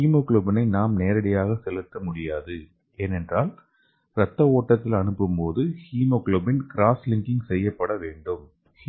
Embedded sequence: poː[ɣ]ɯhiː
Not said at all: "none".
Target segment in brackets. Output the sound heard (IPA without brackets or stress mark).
ð